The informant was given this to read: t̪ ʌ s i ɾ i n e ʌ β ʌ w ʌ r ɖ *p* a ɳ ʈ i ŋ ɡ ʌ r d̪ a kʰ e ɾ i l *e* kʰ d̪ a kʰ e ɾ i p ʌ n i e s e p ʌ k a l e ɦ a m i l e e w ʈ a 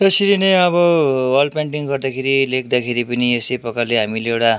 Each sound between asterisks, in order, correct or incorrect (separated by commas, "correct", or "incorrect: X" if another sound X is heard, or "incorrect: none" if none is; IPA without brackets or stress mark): correct, correct